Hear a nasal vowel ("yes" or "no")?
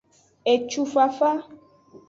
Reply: no